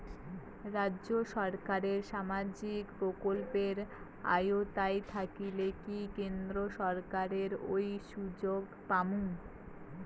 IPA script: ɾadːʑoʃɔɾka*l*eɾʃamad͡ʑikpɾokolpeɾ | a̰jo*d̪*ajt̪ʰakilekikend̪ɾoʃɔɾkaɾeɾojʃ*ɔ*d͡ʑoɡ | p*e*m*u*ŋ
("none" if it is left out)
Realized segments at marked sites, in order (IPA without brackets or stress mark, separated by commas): ɾ, t̪, u, a, u